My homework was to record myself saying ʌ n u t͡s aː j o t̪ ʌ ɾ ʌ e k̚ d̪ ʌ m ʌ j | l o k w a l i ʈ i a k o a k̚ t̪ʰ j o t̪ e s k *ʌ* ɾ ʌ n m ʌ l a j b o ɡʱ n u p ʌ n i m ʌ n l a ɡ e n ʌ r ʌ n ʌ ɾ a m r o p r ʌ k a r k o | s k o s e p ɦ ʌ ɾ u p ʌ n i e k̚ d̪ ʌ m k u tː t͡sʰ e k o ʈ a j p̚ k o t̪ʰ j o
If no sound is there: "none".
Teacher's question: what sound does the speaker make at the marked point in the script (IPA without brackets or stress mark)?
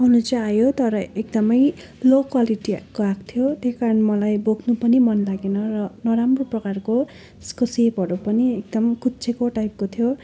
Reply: a